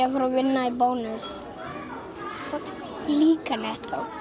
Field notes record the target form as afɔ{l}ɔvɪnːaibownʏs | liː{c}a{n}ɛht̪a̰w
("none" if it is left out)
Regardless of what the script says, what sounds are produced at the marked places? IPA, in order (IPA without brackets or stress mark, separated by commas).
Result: ɾ, k, n